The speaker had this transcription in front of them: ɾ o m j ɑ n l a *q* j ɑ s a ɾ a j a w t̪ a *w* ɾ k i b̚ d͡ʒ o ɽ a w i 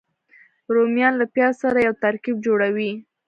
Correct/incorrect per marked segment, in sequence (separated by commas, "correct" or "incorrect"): incorrect, incorrect